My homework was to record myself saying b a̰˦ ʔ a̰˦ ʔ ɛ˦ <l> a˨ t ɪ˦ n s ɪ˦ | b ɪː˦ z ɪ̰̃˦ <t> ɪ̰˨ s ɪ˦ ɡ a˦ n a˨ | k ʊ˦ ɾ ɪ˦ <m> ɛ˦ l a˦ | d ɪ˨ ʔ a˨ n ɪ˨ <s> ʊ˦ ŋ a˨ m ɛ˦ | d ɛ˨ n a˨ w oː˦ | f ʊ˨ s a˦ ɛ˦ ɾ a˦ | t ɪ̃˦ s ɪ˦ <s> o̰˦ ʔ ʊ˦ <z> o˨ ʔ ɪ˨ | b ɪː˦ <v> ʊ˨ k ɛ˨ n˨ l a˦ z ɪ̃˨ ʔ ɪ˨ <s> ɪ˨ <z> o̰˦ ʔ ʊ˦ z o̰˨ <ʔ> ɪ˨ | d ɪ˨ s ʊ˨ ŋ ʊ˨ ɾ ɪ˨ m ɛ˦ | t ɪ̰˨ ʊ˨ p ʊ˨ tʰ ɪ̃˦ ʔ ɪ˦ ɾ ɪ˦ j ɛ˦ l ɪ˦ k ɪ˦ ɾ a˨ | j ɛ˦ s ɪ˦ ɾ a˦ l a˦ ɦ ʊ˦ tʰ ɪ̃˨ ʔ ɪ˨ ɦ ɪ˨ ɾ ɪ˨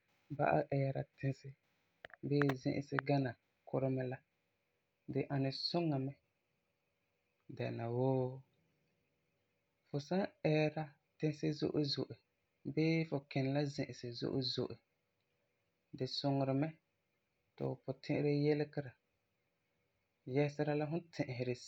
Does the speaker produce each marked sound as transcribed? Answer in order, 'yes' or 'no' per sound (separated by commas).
no, no, yes, yes, no, yes, no, yes, yes, yes